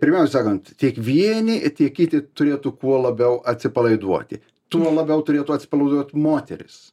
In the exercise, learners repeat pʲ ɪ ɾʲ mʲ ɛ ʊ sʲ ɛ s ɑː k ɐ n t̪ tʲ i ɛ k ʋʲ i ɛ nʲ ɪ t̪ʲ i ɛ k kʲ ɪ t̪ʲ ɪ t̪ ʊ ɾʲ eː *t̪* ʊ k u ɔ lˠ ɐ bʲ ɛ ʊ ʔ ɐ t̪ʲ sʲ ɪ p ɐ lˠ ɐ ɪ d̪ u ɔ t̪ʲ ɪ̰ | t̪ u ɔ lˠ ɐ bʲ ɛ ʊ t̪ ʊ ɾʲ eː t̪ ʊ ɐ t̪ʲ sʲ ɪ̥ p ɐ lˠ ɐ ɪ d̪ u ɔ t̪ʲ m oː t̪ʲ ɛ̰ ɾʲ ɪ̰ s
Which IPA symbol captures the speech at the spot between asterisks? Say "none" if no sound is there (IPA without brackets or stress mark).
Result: t̪